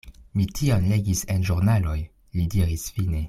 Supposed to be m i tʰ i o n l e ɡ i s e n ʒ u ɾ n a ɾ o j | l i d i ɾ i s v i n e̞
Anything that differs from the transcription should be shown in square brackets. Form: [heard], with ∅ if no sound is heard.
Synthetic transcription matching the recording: m i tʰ i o n l e ɡ i s e n ʒ u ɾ n a [l] o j | l i d i ɾ i s [f] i n e̞